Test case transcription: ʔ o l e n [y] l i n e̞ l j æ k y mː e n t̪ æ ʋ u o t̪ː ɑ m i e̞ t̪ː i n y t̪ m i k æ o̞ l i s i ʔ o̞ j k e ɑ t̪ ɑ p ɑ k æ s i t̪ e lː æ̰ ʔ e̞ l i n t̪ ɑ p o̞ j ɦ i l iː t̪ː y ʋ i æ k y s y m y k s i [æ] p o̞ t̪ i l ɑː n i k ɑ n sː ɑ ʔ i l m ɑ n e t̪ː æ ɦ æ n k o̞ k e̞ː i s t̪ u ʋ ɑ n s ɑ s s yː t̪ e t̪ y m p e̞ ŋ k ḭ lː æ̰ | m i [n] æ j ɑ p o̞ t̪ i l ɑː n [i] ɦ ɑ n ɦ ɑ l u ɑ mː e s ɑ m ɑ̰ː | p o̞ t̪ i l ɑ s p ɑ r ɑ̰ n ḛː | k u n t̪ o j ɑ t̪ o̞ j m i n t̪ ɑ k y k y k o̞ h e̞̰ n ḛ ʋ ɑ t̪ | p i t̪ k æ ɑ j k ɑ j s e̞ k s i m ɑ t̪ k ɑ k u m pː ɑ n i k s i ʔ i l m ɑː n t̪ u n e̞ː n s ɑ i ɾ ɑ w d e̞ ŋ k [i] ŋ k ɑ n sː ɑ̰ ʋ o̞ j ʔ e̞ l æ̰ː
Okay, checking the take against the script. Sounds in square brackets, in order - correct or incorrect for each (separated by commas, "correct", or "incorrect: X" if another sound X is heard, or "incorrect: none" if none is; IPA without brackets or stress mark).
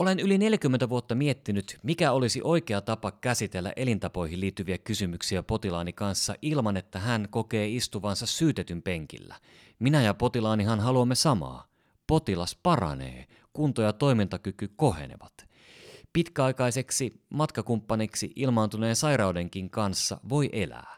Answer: correct, correct, correct, correct, correct